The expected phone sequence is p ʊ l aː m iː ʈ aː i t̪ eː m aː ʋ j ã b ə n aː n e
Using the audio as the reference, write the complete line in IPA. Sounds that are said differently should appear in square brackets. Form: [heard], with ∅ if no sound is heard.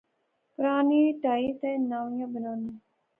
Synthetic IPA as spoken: p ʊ [ɾ] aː [n] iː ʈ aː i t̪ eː [n] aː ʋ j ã b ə n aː n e